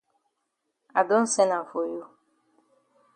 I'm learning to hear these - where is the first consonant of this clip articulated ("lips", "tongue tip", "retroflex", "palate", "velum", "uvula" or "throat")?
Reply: tongue tip